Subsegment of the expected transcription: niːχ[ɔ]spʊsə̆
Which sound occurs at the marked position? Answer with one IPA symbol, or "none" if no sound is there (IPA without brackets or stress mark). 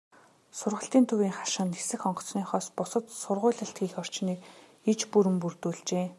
ɔː